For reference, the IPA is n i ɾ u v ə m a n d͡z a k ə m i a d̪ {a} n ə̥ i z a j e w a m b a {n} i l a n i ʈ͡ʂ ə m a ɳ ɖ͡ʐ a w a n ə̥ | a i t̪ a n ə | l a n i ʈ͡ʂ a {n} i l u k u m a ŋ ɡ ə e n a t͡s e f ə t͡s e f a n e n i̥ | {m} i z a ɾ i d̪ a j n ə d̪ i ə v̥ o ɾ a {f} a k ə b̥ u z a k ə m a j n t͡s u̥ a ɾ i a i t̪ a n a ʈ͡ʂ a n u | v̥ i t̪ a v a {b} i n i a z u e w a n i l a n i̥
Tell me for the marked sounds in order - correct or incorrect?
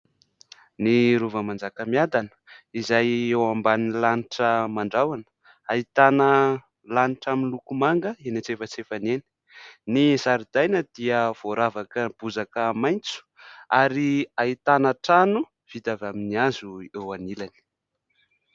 correct, correct, incorrect, incorrect, incorrect, incorrect

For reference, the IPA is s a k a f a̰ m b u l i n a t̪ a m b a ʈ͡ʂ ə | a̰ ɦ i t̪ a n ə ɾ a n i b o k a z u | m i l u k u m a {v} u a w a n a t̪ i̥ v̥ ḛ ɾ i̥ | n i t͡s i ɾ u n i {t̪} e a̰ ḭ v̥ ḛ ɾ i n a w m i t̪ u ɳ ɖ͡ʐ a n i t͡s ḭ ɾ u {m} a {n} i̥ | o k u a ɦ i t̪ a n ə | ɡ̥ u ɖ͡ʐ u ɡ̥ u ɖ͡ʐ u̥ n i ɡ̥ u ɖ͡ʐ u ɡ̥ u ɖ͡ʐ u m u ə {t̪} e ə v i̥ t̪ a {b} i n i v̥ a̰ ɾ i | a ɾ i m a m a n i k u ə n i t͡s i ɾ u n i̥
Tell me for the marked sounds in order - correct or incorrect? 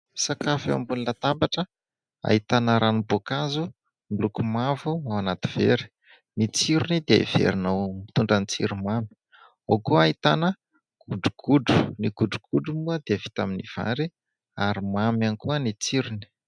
correct, incorrect, correct, incorrect, incorrect, incorrect

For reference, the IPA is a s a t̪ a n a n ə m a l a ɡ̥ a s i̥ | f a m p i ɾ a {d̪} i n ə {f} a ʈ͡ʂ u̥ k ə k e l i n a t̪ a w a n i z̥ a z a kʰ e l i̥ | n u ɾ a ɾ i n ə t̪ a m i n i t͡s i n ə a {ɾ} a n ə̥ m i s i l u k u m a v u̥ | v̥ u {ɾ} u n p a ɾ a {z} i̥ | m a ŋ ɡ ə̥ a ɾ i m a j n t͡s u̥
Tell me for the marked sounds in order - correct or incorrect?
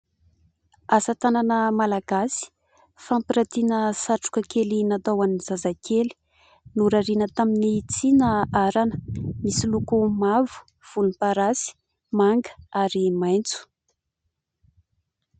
incorrect, incorrect, correct, incorrect, incorrect

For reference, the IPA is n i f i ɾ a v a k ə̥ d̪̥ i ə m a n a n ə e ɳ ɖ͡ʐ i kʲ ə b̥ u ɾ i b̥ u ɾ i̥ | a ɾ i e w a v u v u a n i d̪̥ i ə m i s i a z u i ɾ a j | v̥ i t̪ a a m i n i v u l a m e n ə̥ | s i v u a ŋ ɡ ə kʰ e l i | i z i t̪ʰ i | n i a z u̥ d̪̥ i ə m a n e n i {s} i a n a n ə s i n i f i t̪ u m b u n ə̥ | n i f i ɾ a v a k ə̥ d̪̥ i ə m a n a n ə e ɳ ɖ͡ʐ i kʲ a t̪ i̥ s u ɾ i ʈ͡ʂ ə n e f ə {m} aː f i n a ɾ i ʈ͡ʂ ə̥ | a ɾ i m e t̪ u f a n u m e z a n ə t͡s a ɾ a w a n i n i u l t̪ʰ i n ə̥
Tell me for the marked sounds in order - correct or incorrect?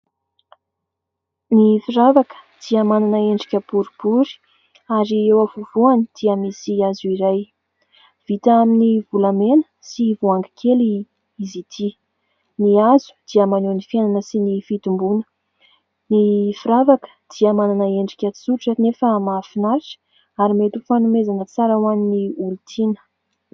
incorrect, correct

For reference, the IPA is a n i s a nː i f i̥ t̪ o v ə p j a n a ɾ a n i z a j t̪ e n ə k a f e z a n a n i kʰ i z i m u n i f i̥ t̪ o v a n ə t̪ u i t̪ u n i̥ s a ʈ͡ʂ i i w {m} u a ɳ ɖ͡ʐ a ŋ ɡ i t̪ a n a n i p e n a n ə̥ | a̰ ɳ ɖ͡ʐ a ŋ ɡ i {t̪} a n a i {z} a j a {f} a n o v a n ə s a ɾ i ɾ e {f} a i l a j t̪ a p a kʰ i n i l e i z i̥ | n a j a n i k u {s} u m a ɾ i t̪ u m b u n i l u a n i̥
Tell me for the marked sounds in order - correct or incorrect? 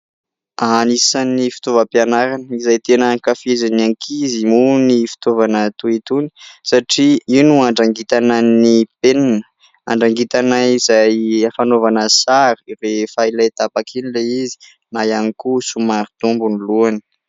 incorrect, correct, correct, correct, correct, correct

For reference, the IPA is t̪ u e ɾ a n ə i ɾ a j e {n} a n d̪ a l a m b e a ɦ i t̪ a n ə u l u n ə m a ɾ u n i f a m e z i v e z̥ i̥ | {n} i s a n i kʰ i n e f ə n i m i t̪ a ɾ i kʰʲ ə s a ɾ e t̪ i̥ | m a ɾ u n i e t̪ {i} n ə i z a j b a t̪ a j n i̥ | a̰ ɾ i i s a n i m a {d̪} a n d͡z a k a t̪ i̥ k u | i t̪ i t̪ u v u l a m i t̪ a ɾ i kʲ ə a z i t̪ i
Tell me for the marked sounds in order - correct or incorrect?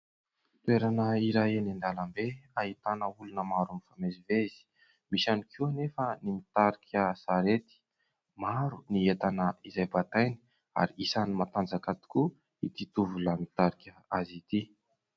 correct, incorrect, incorrect, incorrect

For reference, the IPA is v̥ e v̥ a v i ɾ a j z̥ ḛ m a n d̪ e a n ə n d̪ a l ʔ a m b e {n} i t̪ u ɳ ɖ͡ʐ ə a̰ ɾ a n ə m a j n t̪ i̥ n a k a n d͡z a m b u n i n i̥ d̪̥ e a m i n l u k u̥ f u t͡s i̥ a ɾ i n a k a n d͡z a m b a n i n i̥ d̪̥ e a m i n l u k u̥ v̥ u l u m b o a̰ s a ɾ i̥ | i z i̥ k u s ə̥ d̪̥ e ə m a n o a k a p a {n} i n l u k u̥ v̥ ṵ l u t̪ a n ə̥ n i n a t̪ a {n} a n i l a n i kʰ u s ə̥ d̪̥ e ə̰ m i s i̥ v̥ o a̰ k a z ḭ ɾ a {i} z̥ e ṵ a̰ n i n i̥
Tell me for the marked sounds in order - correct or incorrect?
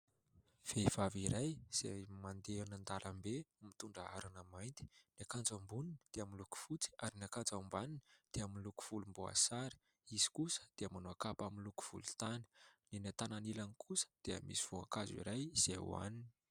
incorrect, incorrect, correct, incorrect

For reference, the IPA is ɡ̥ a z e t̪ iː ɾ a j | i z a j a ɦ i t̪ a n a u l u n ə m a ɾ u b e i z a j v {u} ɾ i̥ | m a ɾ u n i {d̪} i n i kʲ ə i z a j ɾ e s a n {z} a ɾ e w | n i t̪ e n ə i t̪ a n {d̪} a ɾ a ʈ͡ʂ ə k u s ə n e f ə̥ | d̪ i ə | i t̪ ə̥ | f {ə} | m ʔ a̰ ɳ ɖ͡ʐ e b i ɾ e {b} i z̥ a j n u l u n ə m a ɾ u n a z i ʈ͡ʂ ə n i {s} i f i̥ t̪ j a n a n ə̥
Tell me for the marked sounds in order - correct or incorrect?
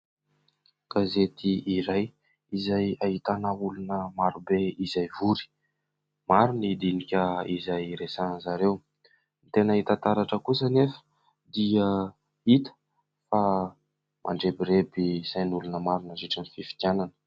correct, correct, correct, incorrect, incorrect, correct, incorrect

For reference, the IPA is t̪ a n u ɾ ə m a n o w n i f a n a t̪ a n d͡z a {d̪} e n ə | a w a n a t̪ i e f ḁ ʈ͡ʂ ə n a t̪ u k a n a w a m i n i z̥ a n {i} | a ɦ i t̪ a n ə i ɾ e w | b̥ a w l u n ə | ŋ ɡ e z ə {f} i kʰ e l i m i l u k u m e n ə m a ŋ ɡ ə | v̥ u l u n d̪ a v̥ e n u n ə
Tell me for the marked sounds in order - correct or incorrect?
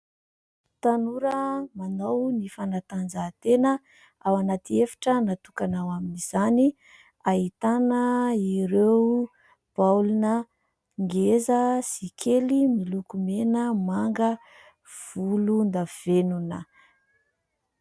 incorrect, correct, incorrect

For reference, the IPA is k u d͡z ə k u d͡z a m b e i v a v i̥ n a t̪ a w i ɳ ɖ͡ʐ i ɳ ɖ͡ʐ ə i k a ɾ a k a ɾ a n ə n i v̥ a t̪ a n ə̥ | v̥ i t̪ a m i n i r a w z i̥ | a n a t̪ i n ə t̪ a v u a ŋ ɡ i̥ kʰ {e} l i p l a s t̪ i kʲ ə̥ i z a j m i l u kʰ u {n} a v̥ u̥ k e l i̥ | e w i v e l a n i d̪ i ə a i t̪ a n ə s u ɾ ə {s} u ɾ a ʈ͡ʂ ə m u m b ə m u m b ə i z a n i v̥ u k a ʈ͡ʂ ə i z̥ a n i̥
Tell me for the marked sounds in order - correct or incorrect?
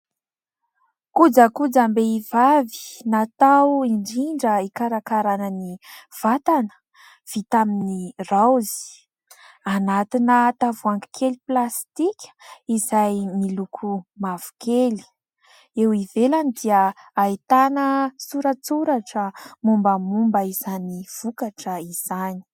correct, incorrect, incorrect

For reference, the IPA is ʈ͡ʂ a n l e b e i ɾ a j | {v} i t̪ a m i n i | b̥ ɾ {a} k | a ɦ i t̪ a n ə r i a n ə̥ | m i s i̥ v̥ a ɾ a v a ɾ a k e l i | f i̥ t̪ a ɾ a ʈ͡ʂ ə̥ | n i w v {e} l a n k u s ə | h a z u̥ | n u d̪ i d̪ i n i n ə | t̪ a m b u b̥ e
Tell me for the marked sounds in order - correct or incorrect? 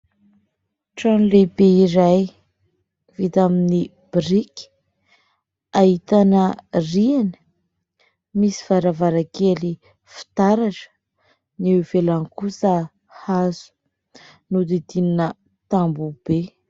correct, incorrect, correct

